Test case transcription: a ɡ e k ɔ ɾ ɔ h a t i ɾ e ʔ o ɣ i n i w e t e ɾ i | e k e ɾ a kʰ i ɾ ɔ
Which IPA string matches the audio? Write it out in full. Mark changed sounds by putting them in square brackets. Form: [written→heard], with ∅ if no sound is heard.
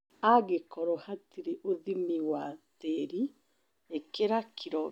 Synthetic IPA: a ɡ e k ɔ ɾ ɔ h a t i ɾ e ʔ o [ɣ→ð] i [n→m] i w [e→a] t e ɾ i | e k e ɾ a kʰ i ɾ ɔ